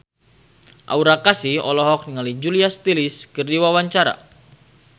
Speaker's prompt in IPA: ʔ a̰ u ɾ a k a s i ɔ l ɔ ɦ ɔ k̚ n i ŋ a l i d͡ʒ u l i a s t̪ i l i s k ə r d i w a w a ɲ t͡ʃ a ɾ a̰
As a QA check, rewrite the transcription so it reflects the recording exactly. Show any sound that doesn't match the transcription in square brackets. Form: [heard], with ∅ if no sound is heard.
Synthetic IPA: ʔ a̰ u ɾ a k a s i ɔ l ɔ ɦ ɔ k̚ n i ŋ a l i d͡ʒ u l i a s t̪ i l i s k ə r d i w a w a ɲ t͡ʃ a ɾ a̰

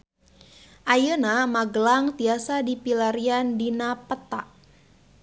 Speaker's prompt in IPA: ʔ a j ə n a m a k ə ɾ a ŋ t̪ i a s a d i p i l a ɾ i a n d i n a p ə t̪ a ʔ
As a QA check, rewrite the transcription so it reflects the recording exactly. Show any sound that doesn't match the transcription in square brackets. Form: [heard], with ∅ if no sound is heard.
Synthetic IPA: ʔ a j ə n a m a [ɡ] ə [l] a ŋ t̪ i a s a d i p i l a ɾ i a n d i n a p ə t̪ a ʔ

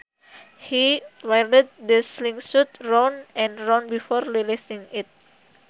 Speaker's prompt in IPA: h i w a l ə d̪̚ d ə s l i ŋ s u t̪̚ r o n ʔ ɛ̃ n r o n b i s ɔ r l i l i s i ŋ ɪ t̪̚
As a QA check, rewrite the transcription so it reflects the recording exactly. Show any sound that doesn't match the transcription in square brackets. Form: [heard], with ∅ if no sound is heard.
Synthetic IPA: h i w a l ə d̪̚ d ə s l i ŋ s u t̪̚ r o n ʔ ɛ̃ n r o n b i [f] ɔ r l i l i s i ŋ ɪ t̪̚

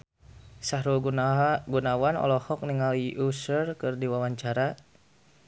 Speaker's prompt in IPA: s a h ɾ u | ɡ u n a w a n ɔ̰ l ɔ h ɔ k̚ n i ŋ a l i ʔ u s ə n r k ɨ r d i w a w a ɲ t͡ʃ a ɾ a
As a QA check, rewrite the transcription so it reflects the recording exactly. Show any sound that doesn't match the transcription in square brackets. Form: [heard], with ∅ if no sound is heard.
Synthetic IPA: s a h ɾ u | ɡ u n a w a n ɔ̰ l ɔ h ɔ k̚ n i ŋ a l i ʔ u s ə [∅] r k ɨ r d i w a w a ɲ t͡ʃ a ɾ a

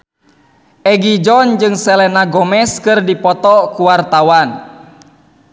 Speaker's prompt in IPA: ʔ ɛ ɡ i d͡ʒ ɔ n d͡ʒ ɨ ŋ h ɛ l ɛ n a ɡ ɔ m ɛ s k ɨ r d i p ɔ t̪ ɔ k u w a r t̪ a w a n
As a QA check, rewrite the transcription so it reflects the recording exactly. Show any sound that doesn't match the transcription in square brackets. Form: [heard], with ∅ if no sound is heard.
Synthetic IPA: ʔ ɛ ɡ i d͡ʒ ɔ n d͡ʒ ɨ ŋ [s] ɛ l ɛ n a ɡ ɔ m ɛ s k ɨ r d i p ɔ t̪ ɔ k u w a r t̪ a w a n

